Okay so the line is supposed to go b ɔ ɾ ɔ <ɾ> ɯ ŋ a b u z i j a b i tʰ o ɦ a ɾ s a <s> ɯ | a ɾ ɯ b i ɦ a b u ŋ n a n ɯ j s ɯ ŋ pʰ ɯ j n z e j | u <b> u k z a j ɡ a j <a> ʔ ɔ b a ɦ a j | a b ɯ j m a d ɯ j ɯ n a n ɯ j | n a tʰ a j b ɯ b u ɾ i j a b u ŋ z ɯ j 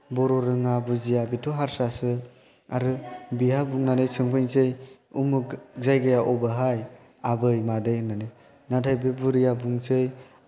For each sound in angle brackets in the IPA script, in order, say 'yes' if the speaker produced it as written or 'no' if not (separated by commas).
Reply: yes, yes, no, yes